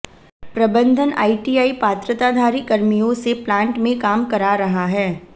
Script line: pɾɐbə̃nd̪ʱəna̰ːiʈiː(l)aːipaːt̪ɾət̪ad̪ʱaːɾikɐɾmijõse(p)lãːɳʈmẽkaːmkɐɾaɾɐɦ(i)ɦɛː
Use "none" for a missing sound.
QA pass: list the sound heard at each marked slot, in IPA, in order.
none, p, a

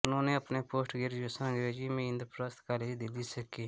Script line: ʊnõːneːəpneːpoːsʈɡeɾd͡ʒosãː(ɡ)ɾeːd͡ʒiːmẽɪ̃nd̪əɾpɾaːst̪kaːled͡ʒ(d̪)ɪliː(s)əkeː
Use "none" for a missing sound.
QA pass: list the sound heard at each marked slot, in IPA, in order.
ɡ, d̪, s

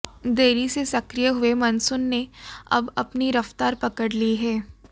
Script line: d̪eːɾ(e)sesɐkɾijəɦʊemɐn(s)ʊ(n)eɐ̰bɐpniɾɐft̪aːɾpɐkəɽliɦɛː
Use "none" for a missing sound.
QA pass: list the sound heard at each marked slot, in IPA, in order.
i, s, nː

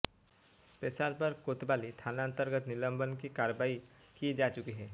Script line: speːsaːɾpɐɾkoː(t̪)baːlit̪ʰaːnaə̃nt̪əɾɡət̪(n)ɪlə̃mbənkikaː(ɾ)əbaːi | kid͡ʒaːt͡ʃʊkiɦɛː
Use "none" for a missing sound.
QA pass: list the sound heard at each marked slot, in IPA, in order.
t̪, n, ɾ

